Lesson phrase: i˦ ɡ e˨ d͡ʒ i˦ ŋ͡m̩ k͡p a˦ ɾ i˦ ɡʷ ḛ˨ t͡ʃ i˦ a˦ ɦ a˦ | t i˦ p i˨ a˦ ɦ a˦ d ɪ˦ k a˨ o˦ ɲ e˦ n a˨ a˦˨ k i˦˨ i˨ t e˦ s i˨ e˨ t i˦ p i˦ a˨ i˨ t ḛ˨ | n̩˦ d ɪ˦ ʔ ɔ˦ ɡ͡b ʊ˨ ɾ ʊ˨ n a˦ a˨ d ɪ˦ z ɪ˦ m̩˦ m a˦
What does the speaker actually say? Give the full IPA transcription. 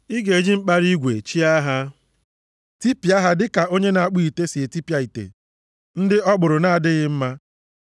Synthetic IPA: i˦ ɡ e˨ d͡ʒ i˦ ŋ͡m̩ k͡p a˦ ɾ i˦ ɡʷ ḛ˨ t͡ʃ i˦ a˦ ɦ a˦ | t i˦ p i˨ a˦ ɦ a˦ d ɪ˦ k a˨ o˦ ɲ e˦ n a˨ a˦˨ k͡p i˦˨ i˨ t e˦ s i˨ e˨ t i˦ p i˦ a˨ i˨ t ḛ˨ | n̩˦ d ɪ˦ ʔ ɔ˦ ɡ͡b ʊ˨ ɾ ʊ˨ n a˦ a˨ d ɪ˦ ɣ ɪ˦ m̩˦ m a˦